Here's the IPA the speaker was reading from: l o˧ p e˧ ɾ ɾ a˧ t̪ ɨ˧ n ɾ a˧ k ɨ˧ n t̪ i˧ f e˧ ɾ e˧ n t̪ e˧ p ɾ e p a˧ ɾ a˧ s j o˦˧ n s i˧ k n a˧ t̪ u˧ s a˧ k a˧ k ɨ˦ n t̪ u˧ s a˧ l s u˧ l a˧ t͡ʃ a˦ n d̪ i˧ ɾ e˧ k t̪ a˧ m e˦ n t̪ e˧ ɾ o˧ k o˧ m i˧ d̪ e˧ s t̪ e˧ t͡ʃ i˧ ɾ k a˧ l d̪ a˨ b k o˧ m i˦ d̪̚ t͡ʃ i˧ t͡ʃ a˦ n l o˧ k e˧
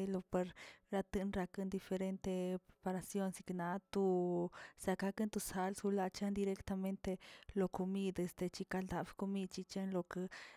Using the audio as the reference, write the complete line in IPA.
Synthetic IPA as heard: l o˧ p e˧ ɾ ɾ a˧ t̪ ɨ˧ n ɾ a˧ k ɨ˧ n d̪ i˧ f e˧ ɾ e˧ n t̪ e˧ p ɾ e p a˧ ɾ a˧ s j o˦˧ n s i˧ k n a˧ t̪ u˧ s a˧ k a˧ k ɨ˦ n t̪ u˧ s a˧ l s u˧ l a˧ t͡ʃ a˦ n d̪ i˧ ɾ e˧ k t̪ a˧ m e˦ n t̪ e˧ l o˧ k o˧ m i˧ d̪ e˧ s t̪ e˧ t͡ʃ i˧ k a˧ l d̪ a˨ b k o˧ m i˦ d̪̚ t͡ʃ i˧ t͡ʃ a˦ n l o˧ k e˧